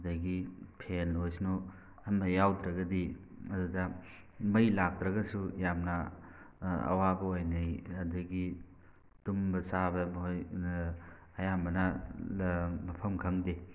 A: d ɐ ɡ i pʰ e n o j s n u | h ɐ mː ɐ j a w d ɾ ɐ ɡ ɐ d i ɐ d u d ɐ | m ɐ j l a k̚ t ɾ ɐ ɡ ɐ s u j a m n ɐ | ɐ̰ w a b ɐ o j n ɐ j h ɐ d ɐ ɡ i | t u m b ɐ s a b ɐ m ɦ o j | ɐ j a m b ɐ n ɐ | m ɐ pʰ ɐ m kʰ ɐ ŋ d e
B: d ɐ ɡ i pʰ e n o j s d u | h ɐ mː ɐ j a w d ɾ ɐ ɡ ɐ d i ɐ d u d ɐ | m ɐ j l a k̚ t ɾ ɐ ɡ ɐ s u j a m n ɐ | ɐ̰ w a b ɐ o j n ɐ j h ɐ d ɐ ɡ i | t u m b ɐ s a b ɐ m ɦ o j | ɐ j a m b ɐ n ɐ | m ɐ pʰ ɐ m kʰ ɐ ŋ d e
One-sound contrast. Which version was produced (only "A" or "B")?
A